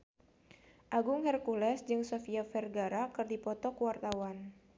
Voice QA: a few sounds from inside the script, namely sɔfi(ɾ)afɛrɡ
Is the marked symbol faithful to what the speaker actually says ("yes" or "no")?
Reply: no